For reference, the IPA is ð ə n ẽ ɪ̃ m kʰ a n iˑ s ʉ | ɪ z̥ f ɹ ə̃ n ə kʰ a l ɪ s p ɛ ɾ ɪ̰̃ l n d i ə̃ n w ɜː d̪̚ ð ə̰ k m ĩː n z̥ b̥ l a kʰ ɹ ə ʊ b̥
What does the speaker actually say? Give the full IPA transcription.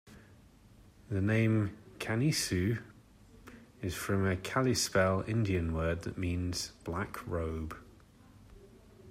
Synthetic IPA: ð ə n ẽ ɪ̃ m kʰ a n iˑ s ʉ | ɪ z̥ f ɹ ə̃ m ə kʰ a l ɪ s p ɛ l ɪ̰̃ n d i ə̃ n w ɜː d̪̚ ð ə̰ ʔ m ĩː n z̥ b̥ l a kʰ ɹ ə ʊ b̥